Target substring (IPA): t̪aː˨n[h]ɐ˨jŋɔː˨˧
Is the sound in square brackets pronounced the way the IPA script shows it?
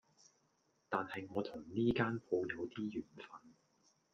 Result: yes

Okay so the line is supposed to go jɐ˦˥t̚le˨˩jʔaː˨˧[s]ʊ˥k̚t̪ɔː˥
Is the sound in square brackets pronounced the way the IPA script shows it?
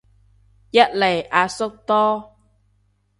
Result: yes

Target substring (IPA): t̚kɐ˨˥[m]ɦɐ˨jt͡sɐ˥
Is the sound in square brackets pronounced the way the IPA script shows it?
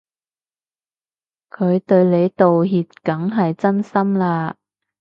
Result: no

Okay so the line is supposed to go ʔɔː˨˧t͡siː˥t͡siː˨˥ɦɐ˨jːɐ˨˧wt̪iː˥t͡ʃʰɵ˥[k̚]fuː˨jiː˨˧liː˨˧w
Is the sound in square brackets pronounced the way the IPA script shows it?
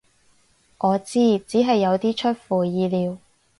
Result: no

